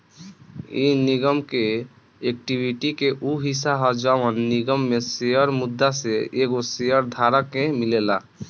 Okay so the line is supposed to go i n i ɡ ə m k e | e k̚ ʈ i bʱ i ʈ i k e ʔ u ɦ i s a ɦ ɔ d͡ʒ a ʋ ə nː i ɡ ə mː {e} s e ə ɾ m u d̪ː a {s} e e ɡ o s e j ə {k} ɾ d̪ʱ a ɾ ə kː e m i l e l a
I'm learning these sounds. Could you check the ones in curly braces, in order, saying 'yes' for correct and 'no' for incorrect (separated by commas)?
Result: yes, yes, no